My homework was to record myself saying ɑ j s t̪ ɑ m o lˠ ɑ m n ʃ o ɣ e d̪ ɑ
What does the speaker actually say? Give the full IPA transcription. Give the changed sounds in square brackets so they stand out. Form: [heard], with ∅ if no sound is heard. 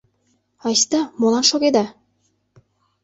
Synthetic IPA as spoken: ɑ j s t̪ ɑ m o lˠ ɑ [∅] n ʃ o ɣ e d̪ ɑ